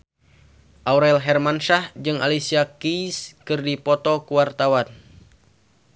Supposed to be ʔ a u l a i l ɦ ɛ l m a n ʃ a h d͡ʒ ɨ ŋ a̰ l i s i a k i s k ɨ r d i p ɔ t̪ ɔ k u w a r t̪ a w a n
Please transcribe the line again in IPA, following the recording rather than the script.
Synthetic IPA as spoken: ʔ a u ɾ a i l ɦ ɛ r m a n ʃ a h d͡ʒ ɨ ŋ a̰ l i s i a k i s k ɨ r d i p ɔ t̪ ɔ k u w a r t̪ a w a n

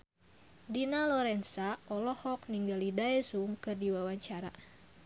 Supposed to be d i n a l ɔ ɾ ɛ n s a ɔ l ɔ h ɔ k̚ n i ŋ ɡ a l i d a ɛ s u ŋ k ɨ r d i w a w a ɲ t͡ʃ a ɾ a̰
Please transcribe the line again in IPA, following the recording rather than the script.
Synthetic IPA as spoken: d i n a l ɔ ɾ ɛ n s a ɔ l ɔ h ɔ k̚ n i ŋ ɡ a l i d a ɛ s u ŋ k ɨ r d i w a w a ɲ t͡ʃ a ɾ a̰

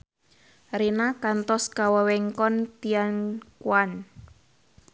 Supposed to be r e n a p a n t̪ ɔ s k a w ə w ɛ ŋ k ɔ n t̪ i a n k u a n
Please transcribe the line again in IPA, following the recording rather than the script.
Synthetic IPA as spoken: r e n a k a n t̪ ɔ s k a w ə w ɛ ŋ k ɔ n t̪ i a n k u a n

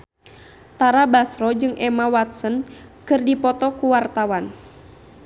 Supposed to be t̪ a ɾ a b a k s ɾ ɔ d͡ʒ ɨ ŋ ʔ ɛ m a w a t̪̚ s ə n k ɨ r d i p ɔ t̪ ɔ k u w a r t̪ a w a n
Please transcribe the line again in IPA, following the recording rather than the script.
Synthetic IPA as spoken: t̪ a ɾ a b a s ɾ ɔ d͡ʒ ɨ ŋ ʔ ɛ m a w a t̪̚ s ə n k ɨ r d i p ɔ t̪ ɔ k u w a r t̪ a w a n

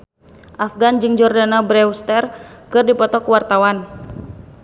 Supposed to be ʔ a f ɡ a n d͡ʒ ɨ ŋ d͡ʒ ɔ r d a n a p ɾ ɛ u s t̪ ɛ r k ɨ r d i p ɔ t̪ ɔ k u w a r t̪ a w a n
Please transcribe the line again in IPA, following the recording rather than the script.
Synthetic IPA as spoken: ʔ a f ɡ a n d͡ʒ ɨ ŋ d͡ʒ ɔ r d a n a b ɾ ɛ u s t̪ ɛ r k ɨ r d i p ɔ t̪ ɔ k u w a r t̪ a w a n

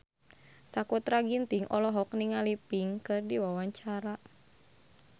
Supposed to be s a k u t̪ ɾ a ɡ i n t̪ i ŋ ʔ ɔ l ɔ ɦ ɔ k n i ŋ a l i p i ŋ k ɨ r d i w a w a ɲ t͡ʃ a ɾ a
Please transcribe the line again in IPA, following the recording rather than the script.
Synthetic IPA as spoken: s a k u t̪ ɾ a ɡ i n t̪ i ŋ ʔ ɔ l ɔ ɦ ɔ k n i ŋ a l i p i ŋ k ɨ r d i w a w a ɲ t͡ʃ a ɾ a

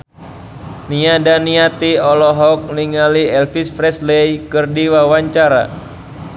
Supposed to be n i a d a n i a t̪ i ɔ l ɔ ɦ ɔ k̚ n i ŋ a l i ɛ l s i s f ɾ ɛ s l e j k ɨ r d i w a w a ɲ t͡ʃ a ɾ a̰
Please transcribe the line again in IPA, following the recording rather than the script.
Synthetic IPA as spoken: n i a d a n i a t̪ i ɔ l ɔ ɦ ɔ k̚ n i ŋ a l i ɛ l f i s f ɾ ɛ s l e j k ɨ r d i w a w a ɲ t͡ʃ a ɾ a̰

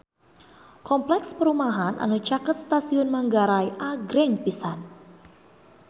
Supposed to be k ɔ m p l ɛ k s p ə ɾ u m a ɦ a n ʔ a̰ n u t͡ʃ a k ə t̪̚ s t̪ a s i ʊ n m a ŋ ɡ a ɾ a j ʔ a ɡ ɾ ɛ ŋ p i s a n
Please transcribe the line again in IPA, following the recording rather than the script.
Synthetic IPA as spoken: k ɔ m p l ɛ k s p ə ɾ u m a ɦ a n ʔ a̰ n u t͡ʃ a k ə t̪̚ s t̪ a s i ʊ n m a ŋ ɡ a ɾ a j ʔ a ɡ ɾ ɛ ŋ p i s a n

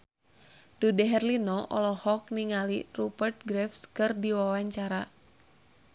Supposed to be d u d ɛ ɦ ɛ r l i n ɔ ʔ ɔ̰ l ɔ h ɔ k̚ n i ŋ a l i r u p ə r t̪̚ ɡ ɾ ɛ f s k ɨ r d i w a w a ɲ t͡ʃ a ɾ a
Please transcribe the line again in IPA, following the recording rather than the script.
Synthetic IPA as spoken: d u d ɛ ɦ ɛ r l i n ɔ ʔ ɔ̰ l ɔ h ɔ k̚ n i ŋ a l i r u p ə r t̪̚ ɡ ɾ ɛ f s k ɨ r d i w a w a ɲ t͡ʃ a ɾ a

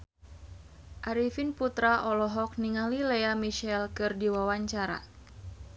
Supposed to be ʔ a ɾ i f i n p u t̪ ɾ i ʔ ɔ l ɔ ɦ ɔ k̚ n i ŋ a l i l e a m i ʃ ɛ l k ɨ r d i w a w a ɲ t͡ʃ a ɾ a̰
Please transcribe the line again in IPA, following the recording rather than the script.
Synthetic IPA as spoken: ʔ a ɾ i f i n p u t̪ ɾ a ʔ ɔ l ɔ ɦ ɔ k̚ n i ŋ a l i l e a m i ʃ ɛ l k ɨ r d i w a w a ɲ t͡ʃ a ɾ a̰

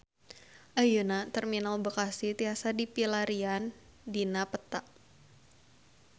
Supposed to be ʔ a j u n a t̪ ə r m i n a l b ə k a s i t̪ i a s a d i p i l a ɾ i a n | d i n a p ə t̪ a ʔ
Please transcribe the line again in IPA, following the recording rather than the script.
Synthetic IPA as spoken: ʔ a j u n a t̪ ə r m i n a l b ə k a s i t̪ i a s a d i p i l a ɾ i a n | d i n a p ə t̪ a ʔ

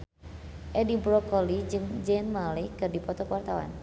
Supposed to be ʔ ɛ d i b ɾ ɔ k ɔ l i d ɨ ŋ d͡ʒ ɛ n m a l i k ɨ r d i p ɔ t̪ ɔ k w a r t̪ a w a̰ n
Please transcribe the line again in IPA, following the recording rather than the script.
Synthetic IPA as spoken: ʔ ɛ d i b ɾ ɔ k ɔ l i d͡ʒ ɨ ŋ d͡ʒ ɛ n m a l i k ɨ r d i p ɔ t̪ ɔ k w a r t̪ a w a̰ n

